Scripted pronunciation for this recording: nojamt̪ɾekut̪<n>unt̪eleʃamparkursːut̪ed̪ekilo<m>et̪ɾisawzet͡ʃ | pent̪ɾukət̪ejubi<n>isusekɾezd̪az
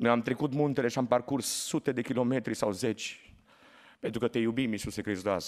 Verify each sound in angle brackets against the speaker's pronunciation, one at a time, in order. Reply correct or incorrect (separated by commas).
incorrect, correct, incorrect